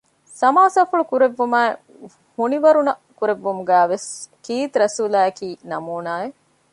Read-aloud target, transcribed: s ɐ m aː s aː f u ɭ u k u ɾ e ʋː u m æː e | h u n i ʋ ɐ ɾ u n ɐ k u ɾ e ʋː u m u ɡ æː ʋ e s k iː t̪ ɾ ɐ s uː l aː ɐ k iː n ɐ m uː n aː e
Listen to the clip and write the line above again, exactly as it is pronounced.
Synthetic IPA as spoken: s ɐ m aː s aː f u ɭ u k u ɾ e ʋː u m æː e | h u n i ʋ ɐ ɾ u n ɐ k u ɾ e ʋː u m u ɡ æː ʋ e s k iː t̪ ɾ ɐ s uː l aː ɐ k iː n ɐ m uː n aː e